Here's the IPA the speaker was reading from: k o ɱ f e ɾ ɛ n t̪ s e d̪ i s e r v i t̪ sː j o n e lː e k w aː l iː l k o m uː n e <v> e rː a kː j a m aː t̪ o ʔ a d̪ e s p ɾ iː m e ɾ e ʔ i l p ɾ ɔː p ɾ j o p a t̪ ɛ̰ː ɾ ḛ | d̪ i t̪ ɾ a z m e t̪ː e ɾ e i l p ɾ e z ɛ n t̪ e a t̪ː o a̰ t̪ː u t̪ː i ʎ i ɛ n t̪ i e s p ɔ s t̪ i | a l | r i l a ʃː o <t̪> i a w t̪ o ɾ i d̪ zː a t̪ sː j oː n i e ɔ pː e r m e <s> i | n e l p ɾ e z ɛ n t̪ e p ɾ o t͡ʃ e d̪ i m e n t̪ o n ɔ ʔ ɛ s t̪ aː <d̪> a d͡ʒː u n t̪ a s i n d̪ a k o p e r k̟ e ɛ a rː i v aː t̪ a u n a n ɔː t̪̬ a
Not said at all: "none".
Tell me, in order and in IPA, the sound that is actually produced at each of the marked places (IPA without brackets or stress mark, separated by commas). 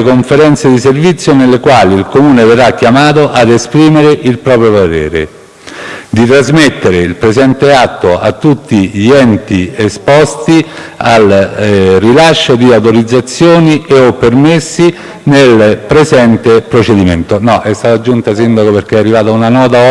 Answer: v, d̪, sː, t̪